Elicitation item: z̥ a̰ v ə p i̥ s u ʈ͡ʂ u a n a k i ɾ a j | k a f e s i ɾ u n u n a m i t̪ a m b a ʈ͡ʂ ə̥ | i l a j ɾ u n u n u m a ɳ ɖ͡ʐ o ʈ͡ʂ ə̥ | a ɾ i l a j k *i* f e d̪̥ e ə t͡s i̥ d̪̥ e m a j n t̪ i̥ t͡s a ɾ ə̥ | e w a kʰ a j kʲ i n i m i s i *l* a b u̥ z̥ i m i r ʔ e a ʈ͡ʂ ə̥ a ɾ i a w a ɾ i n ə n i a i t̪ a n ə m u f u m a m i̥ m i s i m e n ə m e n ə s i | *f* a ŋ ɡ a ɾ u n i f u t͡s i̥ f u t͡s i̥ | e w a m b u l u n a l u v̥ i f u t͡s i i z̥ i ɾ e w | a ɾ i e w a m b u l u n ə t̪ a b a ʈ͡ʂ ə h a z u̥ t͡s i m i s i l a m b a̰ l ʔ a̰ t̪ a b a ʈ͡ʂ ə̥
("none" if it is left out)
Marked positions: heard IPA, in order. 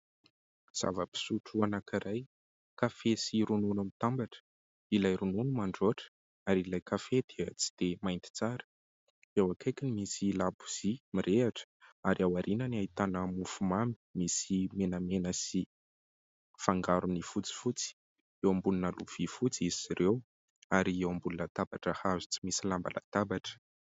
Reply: a, l, f

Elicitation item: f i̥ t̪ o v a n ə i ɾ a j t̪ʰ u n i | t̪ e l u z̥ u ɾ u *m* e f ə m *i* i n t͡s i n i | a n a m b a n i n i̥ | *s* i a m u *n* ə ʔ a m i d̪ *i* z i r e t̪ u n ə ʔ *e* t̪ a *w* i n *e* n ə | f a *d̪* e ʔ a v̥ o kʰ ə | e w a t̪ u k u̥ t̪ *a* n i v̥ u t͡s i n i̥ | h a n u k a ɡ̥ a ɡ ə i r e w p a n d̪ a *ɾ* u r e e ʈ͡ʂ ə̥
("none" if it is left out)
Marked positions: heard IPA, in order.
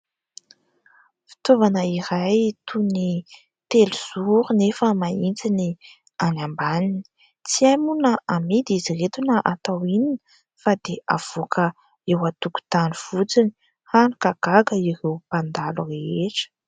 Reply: n, a, t͡s, n, i, a, w, i, d̪, a, l

